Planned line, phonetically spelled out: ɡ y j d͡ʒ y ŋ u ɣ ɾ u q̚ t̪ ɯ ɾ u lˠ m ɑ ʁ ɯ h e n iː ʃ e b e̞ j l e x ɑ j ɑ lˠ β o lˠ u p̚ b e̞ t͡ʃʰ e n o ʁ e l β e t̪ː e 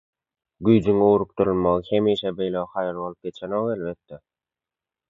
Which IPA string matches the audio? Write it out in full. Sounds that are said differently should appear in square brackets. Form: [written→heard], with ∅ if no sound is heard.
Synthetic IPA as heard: ɡ y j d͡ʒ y ŋ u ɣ ɾ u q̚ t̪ [ɯ→u] ɾ u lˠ m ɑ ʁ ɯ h e [n→m] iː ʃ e b e̞ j l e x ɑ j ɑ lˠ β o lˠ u p̚ [b→ɡ] e̞ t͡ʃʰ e n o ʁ e l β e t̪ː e